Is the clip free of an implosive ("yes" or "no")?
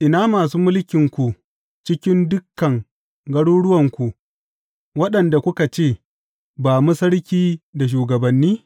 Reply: no